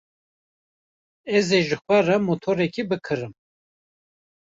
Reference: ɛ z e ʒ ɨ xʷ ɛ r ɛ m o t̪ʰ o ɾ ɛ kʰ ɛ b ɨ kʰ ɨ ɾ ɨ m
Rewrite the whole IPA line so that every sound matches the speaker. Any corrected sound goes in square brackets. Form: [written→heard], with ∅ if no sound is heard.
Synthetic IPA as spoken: ɛ z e ʒ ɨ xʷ ɛ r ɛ m o t̪ʰ o ɾ ɛ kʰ [ɛ→i] b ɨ kʰ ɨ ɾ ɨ m

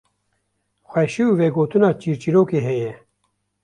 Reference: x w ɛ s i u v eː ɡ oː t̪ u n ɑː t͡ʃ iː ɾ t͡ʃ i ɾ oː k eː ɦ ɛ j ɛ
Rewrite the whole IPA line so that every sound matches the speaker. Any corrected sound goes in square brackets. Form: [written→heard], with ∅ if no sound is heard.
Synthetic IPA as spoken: x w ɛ [s→ʃ] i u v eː ɡ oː t̪ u n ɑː t͡ʃ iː ɾ t͡ʃ i ɾ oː k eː ɦ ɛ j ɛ

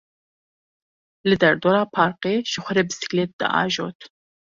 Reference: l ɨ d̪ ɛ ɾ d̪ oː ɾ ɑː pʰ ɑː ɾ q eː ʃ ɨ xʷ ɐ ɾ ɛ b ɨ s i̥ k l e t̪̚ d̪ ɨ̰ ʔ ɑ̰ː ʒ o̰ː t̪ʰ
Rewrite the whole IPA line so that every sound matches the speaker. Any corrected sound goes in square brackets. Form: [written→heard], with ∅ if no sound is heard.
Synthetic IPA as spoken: l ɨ d̪ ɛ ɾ d̪ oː ɾ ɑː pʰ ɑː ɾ q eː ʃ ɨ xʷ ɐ ɾ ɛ b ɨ s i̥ k l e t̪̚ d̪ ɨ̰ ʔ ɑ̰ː ʒ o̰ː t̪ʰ

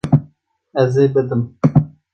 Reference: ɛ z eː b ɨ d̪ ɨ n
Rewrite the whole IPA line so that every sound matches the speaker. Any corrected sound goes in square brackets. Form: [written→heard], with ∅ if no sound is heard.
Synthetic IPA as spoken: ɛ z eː b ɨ d̪ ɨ [n→m]

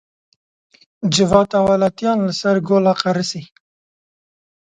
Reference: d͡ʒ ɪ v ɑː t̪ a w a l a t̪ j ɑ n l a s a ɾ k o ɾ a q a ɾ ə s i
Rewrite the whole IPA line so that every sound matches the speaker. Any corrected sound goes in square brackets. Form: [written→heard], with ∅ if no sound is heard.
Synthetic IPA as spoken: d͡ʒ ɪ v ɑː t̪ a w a l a t̪ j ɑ n l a s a ɾ [k→ɡ] o [ɾ→l] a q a ɾ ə s i

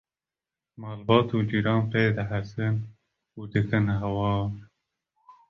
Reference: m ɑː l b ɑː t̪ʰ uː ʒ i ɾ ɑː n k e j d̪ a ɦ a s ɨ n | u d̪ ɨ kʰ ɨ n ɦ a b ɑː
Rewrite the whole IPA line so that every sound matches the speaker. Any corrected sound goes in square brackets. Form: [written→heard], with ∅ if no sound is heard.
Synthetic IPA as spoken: m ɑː l b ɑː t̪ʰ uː [ʒ→d͡ʒ] i ɾ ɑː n [k→p] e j d̪ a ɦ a s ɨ n | u d̪ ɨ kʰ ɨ n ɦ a [b→w] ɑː

